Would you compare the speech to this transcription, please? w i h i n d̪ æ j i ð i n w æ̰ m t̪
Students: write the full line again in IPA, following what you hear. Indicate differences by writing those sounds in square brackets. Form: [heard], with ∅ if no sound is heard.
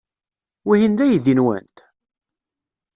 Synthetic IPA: w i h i n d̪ æ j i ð i n w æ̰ [n] t̪

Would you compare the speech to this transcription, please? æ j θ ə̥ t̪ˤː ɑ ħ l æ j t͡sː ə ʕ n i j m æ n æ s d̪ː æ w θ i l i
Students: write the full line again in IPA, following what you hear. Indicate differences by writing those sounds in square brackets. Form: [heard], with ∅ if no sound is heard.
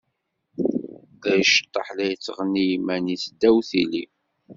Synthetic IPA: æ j [ʃ] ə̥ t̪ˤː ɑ ħ l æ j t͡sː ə [ʁ] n i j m æ n [i] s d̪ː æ w θ i l i

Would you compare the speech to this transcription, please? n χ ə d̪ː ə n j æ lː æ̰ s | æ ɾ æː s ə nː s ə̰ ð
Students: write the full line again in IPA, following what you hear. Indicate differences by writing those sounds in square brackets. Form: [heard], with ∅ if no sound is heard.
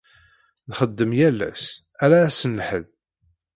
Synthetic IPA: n χ ə d̪ː ə [m] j æ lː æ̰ s | æ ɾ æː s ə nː [ħ] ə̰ ð

